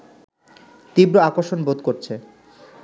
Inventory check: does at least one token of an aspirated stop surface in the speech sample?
yes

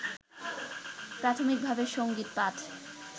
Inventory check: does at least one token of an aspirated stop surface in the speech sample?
yes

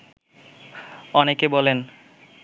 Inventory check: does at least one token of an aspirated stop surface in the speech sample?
no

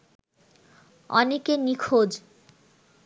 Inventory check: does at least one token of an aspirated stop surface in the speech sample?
yes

